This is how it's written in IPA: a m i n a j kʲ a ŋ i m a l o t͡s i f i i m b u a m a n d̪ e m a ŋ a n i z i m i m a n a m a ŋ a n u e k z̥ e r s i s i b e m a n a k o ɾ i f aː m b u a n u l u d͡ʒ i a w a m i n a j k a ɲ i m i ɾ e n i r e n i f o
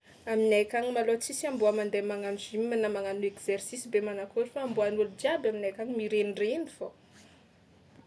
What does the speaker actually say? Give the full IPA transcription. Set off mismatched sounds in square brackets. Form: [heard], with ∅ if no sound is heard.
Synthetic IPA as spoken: a m i n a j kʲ a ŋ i m a l o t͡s i [s] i [a] m b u a m a n d̪ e m a ŋ a n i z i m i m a n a m a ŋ a n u e k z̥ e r s i s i b e m a n a k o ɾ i f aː m b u a n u l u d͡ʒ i a [b] a m i n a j k a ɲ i m i ɾ e n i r e n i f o